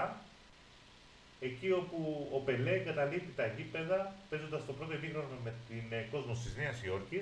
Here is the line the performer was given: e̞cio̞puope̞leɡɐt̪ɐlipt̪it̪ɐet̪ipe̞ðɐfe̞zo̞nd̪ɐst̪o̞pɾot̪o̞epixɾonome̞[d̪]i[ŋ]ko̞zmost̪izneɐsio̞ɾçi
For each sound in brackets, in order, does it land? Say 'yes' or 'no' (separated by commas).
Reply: no, no